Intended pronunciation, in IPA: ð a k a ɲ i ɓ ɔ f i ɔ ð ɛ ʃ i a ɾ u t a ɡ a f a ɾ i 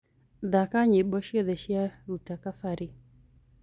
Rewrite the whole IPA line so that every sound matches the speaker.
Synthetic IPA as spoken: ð a k a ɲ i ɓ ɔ ʃ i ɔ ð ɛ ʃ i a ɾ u t a k a f a ɾ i